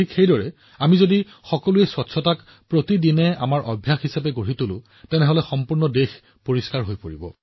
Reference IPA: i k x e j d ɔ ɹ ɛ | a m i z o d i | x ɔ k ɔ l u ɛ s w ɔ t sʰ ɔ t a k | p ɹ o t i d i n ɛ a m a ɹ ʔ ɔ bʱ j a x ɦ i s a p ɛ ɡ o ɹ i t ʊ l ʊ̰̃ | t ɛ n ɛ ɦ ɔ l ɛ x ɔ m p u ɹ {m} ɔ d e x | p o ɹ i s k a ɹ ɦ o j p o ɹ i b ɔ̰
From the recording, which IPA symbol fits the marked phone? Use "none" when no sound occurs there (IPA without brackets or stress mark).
n